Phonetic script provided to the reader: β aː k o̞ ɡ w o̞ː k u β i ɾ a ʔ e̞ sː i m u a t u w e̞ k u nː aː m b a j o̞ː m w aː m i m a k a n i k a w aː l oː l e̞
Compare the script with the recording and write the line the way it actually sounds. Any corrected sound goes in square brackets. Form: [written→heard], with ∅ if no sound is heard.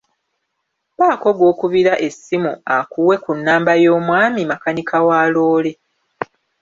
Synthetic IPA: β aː k o̞ ɡ w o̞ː k u β i ɾ a ʔ e̞ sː i m u a [t→k] u w e̞ k u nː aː m b a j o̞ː m w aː m i m a k a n i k a w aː l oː l e̞